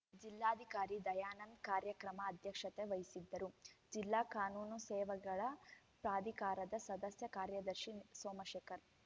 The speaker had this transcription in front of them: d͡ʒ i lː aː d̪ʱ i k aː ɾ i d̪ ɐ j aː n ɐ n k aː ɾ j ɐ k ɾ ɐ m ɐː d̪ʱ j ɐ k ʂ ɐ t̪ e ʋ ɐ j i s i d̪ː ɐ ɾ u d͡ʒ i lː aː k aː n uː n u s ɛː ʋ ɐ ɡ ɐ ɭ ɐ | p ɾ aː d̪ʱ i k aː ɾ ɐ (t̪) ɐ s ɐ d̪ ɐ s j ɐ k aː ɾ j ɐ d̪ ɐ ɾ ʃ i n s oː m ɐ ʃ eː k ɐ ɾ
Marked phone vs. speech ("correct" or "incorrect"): incorrect